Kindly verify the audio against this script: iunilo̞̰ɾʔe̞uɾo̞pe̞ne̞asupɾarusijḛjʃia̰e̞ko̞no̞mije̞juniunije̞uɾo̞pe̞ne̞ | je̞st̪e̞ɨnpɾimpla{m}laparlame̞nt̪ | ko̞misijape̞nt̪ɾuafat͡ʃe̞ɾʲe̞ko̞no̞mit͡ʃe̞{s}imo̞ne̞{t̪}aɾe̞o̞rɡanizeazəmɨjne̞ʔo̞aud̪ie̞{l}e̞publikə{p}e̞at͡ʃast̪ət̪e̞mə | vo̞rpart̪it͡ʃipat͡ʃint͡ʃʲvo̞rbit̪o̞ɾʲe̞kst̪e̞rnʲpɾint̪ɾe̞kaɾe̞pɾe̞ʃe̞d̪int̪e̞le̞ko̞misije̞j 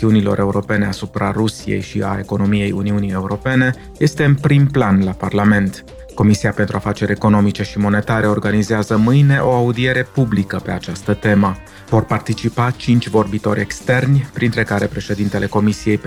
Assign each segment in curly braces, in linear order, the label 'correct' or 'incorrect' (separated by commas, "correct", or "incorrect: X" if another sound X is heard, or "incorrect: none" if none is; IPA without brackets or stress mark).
incorrect: n, incorrect: ʃ, correct, incorrect: ɾ, correct